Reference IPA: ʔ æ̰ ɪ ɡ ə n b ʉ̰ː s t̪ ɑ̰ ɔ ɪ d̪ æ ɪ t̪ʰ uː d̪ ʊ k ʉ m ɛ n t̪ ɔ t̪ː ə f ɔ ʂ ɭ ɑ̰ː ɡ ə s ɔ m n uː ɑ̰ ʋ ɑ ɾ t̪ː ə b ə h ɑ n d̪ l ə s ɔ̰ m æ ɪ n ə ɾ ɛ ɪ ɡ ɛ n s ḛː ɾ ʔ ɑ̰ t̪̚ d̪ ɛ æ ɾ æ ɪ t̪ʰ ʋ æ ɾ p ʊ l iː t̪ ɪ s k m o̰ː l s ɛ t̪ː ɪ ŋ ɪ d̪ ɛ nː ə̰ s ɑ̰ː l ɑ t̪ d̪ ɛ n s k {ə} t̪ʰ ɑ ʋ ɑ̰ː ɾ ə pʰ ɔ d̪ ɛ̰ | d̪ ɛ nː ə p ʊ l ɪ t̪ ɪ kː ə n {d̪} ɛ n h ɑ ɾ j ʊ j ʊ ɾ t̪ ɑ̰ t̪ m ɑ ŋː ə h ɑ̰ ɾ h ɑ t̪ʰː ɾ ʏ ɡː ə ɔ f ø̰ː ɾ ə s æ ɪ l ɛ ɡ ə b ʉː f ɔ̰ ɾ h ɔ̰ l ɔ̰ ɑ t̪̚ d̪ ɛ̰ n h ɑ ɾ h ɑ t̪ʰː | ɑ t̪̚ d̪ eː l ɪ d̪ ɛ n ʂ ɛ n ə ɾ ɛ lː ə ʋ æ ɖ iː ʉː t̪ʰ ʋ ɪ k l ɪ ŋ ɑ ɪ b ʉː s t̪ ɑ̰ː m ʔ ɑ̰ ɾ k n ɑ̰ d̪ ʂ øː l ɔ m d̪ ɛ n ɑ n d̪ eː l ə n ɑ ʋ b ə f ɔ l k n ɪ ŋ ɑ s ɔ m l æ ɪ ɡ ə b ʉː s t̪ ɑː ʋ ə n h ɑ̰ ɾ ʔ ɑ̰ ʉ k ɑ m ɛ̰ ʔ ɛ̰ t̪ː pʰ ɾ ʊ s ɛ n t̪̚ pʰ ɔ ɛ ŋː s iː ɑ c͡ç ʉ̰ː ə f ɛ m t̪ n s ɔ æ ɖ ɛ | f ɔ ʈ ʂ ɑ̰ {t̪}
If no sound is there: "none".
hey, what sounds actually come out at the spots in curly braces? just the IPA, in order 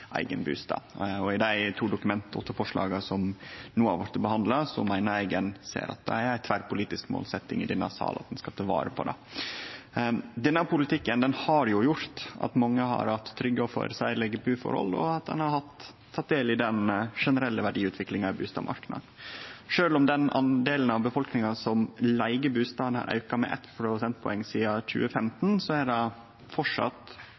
ɑ, d̪, t̪

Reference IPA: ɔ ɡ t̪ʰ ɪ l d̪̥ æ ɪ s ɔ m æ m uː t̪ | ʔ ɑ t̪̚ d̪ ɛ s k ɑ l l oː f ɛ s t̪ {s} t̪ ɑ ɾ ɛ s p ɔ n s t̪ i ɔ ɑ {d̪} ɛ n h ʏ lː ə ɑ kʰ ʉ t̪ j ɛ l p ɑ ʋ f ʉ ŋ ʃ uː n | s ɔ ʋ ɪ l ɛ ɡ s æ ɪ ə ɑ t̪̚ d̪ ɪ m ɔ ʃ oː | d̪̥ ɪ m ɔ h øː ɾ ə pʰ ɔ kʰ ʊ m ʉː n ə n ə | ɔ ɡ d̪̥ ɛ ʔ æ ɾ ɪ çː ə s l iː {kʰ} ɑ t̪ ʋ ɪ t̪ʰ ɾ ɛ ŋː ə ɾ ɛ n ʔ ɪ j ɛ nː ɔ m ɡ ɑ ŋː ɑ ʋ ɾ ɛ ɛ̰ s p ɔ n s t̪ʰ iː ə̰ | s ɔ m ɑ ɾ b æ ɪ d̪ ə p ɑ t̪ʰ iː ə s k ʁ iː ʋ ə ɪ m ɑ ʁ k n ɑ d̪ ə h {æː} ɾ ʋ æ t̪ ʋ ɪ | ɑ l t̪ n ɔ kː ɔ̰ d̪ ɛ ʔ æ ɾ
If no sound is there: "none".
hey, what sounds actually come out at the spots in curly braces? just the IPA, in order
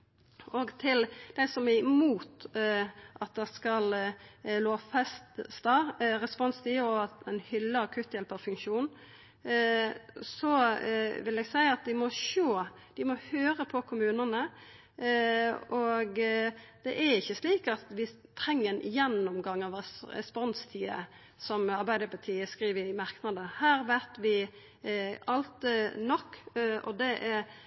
s, t̪, k, æː

